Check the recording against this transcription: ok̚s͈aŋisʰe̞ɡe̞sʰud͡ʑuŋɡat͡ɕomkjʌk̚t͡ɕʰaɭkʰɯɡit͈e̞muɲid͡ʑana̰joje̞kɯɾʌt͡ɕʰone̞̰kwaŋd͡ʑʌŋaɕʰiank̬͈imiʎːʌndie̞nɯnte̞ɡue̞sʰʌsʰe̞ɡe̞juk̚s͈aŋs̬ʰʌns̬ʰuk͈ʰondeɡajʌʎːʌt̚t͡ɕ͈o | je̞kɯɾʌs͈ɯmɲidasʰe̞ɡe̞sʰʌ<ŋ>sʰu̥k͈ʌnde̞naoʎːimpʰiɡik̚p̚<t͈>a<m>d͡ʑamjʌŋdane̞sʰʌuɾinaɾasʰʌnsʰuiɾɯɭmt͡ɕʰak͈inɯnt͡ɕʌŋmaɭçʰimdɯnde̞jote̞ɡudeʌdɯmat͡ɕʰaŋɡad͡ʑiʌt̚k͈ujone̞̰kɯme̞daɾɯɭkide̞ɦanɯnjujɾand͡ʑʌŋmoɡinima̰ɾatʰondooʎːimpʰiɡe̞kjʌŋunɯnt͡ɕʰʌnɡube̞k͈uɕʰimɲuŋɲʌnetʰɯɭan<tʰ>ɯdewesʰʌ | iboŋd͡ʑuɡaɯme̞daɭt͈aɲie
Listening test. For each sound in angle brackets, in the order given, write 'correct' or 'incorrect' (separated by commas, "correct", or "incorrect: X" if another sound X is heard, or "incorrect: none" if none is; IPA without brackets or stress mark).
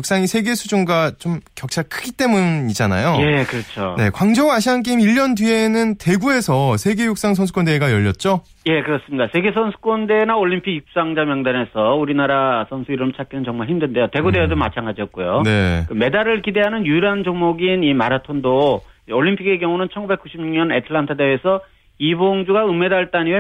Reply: incorrect: n, incorrect: s͈, incorrect: ŋ, correct